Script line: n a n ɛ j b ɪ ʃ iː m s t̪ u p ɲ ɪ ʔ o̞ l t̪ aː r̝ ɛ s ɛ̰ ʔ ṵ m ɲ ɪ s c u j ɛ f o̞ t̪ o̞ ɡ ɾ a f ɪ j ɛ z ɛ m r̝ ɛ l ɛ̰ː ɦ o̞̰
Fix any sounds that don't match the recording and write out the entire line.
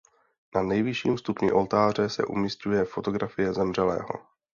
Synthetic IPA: n a n ɛ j v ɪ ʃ iː m s t̪ u p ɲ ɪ ʔ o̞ l t̪ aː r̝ ɛ s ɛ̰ ʔ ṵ m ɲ ɪ s c u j ɛ f o̞ t̪ o̞ ɡ ɾ a f ɪ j ɛ z ɛ m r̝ ɛ l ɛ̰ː ɦ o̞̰